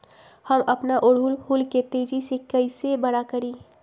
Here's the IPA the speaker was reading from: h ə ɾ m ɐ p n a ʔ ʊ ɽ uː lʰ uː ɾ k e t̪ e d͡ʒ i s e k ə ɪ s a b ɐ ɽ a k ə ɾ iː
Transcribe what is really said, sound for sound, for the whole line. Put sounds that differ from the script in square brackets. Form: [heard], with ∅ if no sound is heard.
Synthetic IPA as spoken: h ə [∅] m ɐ p n a ʔ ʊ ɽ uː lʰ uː [l] k e t̪ e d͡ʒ i s e k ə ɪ s [e] b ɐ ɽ a k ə ɾ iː